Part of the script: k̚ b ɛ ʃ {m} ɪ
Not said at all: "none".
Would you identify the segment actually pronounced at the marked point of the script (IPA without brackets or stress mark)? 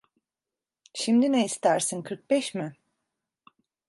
m